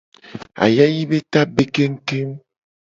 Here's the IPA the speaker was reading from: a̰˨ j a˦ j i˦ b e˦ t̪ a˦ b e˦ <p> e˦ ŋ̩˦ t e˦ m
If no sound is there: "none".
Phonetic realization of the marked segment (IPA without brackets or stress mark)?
k